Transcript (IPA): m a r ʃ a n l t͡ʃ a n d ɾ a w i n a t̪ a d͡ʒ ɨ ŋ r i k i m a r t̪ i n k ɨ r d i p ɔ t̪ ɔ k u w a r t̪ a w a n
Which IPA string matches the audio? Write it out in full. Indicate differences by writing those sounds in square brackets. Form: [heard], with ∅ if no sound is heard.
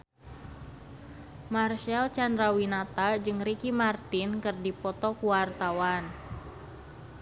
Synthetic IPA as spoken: m a r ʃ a [∅] l t͡ʃ a n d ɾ a w i n a t̪ a d͡ʒ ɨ ŋ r i k i m a r t̪ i n k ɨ r d i p ɔ t̪ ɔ k u w a r t̪ a w a n